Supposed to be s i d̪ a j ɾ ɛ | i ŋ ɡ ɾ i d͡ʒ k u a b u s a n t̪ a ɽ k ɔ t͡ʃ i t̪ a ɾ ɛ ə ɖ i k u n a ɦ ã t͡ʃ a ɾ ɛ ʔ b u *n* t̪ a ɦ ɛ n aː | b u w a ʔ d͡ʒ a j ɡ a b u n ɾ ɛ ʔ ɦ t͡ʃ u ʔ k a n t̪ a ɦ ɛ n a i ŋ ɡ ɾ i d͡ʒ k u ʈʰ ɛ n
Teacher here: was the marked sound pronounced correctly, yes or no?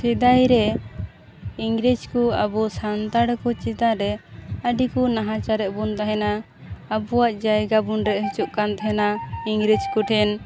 yes